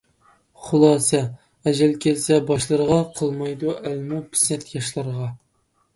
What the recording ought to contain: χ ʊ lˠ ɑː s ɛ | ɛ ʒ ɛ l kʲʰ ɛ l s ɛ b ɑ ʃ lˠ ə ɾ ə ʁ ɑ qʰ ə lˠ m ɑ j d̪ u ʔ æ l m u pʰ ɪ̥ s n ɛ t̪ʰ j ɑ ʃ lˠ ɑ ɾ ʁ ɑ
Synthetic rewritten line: χ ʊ lˠ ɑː s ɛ | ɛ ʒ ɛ l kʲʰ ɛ l s ɛ b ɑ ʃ lˠ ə ɾ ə ʁ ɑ qʰ ə lˠ m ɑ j d̪ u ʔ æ l m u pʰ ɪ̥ s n ɛ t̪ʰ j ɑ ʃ lˠ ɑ ɾ ʁ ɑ